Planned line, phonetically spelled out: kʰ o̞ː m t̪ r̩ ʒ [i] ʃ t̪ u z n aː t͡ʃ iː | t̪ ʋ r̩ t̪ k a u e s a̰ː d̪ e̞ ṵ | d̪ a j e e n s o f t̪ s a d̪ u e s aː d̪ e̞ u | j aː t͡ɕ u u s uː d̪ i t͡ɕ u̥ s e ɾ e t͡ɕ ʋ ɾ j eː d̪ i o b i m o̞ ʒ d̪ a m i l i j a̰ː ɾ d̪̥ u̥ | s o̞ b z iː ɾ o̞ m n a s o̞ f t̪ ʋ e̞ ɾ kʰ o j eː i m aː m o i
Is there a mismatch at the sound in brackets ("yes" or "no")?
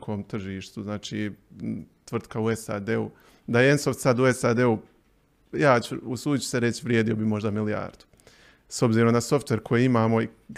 yes